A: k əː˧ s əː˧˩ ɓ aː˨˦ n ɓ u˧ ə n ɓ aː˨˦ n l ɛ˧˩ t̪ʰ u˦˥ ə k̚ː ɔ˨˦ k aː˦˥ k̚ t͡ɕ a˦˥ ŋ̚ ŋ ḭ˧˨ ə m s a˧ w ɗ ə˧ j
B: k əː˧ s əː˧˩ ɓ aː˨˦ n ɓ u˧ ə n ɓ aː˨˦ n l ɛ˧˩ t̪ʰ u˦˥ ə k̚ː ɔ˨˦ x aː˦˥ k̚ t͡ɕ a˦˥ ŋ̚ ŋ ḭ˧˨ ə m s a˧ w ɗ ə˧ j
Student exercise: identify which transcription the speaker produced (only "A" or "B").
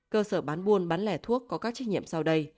A